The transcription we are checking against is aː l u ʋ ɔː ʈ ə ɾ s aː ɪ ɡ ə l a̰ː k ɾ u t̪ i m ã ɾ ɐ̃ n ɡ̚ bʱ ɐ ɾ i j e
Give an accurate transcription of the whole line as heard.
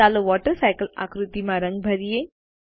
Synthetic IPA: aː l o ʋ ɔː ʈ ə ɾ s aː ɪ k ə l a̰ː k ɾ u t̪ i m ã ɾ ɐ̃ ŋ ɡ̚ bʱ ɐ ɾ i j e